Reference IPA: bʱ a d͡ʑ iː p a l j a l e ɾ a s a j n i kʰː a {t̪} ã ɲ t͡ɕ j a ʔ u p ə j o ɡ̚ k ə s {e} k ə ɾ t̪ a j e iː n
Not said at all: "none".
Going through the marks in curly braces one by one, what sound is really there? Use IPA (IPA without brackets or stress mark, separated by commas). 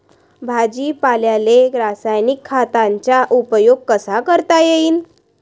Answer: t̪, a